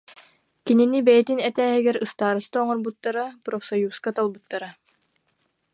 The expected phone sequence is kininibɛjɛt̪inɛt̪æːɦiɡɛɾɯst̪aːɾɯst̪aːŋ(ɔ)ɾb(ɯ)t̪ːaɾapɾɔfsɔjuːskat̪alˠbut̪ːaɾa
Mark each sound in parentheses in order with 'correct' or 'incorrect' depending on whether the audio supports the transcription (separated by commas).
correct, incorrect